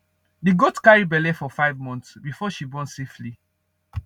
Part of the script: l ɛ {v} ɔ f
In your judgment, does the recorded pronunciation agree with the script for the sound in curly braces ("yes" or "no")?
no